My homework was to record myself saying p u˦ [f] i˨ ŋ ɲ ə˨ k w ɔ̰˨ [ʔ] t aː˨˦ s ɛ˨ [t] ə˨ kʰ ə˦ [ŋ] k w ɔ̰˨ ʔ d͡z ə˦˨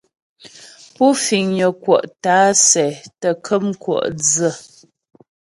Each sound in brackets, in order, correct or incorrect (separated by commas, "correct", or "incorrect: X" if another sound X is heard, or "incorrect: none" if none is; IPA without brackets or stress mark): correct, correct, correct, incorrect: m